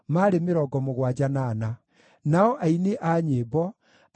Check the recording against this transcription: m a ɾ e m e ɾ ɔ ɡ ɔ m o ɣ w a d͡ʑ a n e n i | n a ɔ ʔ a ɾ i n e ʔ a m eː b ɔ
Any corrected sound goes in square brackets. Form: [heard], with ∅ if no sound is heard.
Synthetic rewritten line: m a ɾ e m e ɾ ɔ ɡ ɔ m o ɣ w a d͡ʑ a n [a] n [a] | n a ɔ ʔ a [∅] i n e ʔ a [ɲ] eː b ɔ